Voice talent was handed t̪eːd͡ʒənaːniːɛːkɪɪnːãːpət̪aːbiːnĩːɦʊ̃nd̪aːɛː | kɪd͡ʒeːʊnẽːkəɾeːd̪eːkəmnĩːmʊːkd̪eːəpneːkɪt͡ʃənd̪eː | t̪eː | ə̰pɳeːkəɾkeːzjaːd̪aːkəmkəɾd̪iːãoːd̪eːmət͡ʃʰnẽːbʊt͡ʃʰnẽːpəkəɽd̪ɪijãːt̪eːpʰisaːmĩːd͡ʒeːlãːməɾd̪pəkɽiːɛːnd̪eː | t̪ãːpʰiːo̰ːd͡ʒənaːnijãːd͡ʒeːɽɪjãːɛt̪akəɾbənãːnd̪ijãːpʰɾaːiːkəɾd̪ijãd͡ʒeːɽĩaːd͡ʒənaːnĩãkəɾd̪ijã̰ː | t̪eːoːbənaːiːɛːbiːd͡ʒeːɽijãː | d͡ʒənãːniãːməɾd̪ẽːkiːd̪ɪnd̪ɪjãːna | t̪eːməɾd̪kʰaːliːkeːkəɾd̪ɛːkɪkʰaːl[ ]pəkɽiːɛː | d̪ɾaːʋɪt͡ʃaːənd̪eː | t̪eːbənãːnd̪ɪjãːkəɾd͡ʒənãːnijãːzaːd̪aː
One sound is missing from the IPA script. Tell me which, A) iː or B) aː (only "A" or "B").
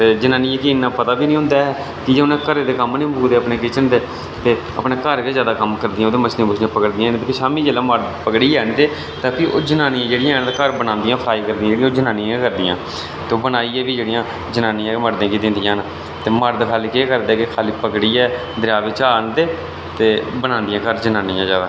A